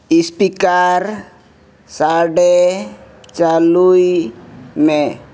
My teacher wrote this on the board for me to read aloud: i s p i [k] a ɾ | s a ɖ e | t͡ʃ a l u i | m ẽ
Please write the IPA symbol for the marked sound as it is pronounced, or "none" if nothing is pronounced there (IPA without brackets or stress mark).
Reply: k